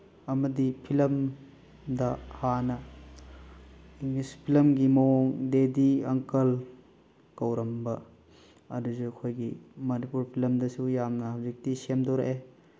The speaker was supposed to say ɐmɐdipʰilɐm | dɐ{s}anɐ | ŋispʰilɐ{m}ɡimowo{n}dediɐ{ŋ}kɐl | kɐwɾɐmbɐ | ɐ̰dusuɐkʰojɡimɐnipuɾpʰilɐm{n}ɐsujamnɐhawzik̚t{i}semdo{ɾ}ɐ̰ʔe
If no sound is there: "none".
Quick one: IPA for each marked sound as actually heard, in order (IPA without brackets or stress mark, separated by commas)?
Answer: h, m, ŋ, ŋ, d, i, ɾ